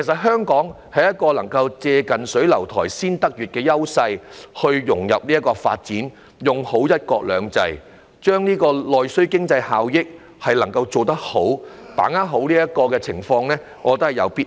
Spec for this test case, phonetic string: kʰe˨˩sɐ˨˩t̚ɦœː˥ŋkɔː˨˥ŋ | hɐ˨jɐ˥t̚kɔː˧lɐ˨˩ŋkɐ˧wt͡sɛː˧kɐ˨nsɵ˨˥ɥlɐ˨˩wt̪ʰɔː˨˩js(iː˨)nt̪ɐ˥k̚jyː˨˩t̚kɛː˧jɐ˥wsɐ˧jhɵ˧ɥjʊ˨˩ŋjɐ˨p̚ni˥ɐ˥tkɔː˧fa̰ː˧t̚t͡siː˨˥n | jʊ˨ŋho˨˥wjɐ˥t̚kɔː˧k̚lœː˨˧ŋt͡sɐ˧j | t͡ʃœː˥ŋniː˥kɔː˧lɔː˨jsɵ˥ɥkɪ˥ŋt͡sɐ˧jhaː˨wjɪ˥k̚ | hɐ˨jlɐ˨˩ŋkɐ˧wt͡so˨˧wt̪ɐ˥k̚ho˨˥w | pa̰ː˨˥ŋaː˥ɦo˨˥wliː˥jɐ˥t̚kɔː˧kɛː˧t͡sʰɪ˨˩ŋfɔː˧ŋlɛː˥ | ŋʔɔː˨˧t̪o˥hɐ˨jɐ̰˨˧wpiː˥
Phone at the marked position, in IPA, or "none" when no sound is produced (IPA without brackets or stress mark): iː˥